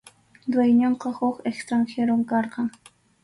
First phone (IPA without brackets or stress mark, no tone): d̪